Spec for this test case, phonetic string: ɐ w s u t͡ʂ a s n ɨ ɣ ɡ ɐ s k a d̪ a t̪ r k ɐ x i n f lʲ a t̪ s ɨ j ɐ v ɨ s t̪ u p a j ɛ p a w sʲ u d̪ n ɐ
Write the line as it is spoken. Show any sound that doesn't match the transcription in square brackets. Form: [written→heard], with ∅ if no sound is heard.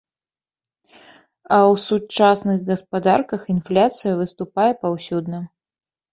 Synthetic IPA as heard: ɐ w s u t͡ʂ a s n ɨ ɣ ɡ ɐ s [k→p] a d̪ a [t̪→∅] r k ɐ x i n f lʲ a t̪ s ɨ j ɐ v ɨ s t̪ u p a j ɛ p a w sʲ u d̪ n ɐ

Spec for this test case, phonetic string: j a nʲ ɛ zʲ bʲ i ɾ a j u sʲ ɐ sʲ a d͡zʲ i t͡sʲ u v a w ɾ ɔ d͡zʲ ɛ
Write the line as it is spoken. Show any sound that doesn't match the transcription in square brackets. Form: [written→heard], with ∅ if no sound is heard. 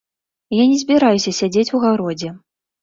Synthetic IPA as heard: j a nʲ ɛ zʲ bʲ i ɾ a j u sʲ ɐ sʲ a d͡zʲ [i→e] t͡sʲ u [v→ɣ] a w ɾ ɔ d͡zʲ ɛ

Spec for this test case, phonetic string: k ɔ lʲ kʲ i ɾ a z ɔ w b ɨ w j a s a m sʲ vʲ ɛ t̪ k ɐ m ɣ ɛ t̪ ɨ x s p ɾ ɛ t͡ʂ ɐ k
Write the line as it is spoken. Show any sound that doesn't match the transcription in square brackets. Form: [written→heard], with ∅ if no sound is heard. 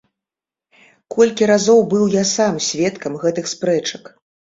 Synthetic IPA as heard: k ɔ lʲ kʲ i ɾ a z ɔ w b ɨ w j a s a m sʲ vʲ ɛ t̪ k ɐ m ɣ ɛ t̪ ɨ x s p ɾ ɛ t͡ʂ ɐ k

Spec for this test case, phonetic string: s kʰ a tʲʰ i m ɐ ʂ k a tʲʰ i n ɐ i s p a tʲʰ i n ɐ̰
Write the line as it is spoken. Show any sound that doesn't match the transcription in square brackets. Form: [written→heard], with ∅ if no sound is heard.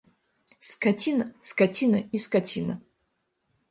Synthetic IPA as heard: s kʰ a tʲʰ i [m→n] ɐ [ʂ→s] k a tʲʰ i n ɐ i s [p→k] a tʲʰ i n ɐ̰

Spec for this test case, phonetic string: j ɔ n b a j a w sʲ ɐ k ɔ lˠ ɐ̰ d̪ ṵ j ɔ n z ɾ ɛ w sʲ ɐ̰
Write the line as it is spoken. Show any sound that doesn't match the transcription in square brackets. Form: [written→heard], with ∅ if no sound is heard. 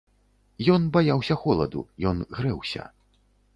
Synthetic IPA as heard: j ɔ n b a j a w sʲ ɐ [k→x] ɔ lˠ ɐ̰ d̪ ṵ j ɔ n [z→ɣ] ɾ ɛ w sʲ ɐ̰

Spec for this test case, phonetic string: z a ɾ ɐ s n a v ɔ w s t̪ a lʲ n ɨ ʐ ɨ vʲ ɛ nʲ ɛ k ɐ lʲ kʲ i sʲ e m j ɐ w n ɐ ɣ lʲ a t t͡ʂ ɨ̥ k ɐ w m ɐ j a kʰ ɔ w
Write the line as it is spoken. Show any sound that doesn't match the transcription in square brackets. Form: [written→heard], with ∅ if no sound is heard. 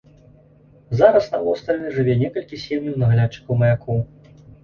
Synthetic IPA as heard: z a ɾ ɐ s n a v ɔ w s t̪ a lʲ n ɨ ʐ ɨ vʲ ɛ nʲ ɛ k ɐ lʲ kʲ i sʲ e m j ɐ w n ɐ ɣ lʲ a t t͡ʂ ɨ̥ k ɐ w m ɐ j a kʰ ɔ w

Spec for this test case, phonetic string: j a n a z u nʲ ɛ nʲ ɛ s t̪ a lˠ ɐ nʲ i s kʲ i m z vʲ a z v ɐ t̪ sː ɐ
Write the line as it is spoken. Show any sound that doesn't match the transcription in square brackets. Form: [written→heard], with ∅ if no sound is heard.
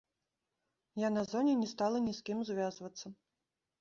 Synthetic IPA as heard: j a n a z [u→ɔ] nʲ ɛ nʲ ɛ s t̪ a lˠ ɐ nʲ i s kʲ i m z vʲ a z v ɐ t̪ sː ɐ

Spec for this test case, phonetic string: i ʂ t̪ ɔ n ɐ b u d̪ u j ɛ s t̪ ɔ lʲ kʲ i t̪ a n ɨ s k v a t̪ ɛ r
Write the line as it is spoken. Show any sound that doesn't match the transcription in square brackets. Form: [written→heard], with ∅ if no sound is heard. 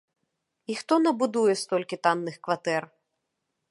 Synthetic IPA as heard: i [ʂ→x] t̪ ɔ n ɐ b u d̪ u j ɛ s t̪ ɔ lʲ kʲ i t̪ a [n→nː] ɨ [s→x] k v a t̪ ɛ r

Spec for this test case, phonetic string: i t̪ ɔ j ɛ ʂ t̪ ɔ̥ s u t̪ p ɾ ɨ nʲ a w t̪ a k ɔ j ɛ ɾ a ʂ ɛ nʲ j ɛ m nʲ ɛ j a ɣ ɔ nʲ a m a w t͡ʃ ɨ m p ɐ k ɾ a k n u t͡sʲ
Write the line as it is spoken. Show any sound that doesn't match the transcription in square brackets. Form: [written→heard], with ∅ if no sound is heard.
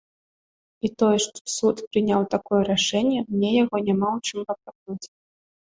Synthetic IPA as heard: i t̪ ɔ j ɛ ʂ t̪ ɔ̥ s u t̪ p ɾ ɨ nʲ a w t̪ a k ɔ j ɛ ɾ a ʂ ɛ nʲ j ɛ m nʲ ɛ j a ɣ ɔ nʲ a m a w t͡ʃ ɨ m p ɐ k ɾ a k n u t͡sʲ

